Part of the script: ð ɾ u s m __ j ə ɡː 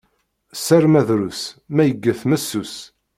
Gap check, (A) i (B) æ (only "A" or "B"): B